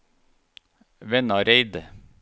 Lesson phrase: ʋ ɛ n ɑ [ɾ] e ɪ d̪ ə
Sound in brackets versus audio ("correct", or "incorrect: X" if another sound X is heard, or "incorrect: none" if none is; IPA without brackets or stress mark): correct